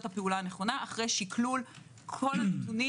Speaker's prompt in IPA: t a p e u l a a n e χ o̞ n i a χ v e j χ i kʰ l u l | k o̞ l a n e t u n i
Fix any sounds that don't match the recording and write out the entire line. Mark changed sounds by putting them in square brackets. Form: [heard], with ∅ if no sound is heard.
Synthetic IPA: t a p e u l a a n e χ o̞ n [a] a χ [ʁ] e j [ʃ] i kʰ l u l | [kʰ] o̞ l a n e t u n i